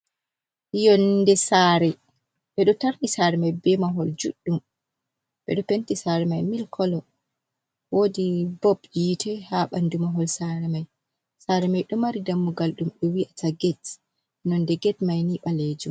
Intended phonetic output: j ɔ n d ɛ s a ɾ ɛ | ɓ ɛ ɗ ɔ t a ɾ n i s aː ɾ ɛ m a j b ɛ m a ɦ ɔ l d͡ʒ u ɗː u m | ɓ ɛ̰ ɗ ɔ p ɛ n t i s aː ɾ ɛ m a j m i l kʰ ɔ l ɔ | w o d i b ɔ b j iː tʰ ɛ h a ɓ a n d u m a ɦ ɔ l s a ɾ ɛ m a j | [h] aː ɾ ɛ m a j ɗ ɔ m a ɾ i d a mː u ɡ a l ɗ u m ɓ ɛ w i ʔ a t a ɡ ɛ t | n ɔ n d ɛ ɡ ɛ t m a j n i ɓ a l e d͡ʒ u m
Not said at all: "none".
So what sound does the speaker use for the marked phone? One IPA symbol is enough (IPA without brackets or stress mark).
s